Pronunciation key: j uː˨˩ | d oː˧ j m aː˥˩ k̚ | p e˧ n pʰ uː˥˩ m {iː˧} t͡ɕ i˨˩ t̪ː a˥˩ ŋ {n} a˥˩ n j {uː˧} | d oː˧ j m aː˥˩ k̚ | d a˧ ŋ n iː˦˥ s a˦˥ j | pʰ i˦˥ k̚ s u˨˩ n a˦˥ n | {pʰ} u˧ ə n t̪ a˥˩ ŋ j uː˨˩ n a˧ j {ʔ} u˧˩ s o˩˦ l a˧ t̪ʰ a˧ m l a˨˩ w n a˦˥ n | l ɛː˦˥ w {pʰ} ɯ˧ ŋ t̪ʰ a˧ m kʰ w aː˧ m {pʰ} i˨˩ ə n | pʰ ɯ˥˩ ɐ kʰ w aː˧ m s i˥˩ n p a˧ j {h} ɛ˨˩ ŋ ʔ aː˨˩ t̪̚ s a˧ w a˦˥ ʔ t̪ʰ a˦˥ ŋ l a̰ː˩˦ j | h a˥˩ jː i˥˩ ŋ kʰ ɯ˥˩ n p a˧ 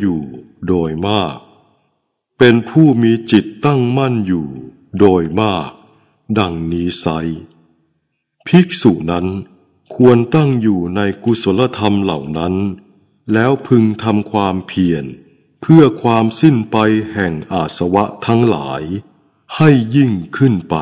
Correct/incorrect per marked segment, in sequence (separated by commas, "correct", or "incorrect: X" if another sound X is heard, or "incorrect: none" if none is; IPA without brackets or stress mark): correct, incorrect: m, incorrect: uː˨˩, incorrect: kʰ, incorrect: k, correct, correct, correct